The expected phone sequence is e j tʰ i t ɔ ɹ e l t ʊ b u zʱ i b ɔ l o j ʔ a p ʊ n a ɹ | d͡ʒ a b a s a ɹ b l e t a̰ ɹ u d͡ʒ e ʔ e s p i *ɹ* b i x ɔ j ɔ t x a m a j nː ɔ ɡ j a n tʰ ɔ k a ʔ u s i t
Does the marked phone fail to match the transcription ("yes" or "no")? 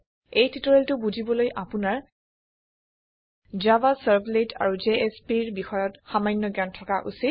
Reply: no